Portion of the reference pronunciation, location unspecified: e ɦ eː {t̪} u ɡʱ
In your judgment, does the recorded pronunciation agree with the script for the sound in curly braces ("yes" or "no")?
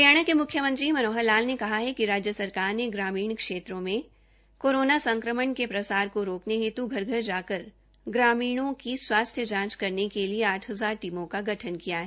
yes